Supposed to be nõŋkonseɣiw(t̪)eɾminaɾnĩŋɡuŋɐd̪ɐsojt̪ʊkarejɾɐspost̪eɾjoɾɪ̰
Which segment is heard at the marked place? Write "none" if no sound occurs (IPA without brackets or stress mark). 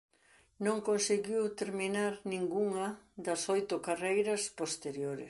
t̪